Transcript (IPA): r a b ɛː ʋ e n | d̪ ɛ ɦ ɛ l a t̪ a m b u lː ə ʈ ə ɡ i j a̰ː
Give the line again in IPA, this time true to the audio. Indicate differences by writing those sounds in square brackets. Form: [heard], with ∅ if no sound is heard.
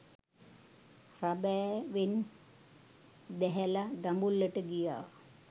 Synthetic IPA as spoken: r a b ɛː ʋ e n | d̪ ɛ ɦ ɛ l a [d̪] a m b u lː ə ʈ ə ɡ i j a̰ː